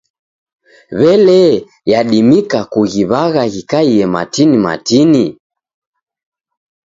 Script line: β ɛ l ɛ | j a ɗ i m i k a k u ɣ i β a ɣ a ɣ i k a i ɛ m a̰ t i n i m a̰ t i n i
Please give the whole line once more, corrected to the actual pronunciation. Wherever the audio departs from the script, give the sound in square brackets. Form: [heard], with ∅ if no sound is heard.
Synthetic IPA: β ɛ l ɛ | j a ɗ i m i k a k u ɣ i β a ɣ a ɣ i k a i ɛ m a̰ t i n i m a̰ t i n i